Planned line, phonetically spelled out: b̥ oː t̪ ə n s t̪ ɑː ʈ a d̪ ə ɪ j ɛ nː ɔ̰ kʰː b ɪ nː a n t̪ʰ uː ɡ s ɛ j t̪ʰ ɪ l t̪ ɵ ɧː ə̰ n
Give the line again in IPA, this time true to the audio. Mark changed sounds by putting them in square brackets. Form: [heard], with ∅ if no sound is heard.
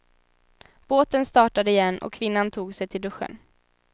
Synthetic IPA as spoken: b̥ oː t̪ ə n s t̪ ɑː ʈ a d̪ ə ɪ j ɛ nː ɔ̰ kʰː [v] ɪ nː a n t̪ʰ uː ɡ s ɛ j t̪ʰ ɪ l [d̪] ɵ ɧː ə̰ n